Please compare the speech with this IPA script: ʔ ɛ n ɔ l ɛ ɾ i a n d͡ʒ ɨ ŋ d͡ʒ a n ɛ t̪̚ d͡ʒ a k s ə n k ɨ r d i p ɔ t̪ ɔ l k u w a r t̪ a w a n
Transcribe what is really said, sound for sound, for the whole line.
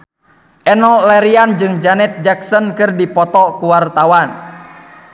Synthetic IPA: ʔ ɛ n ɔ l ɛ ɾ i a n d͡ʒ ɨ ŋ d͡ʒ a n ɛ t̪̚ d͡ʒ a k s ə n k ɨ r d i p ɔ t̪ ɔ k u w a r t̪ a w a n